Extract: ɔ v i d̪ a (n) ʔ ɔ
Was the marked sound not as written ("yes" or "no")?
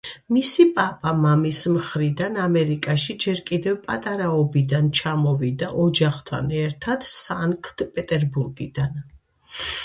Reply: yes